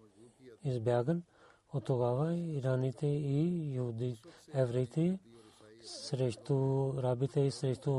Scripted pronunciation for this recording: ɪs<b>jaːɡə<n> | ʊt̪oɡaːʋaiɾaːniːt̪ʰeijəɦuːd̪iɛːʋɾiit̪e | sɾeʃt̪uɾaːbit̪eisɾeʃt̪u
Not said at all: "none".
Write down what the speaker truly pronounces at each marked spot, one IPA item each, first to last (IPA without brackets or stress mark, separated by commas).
b, n